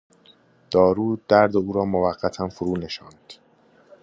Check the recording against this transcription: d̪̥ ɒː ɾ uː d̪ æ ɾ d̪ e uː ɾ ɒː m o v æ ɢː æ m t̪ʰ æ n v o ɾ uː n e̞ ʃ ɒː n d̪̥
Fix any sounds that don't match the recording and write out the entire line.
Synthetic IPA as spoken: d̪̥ ɒː ɾ uː d̪ æ ɾ d̪ e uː ɾ ɒː m o v æ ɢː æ t̪ʰ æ n f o ɾ uː n e̞ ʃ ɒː n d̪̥